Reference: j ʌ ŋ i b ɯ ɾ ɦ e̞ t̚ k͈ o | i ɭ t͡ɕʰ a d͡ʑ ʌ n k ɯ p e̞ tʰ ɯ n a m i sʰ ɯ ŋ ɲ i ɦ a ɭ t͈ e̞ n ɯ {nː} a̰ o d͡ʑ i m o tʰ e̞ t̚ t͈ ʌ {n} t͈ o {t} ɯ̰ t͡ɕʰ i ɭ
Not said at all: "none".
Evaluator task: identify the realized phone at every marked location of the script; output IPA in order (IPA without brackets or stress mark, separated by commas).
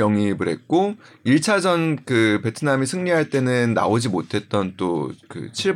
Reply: nː, n, k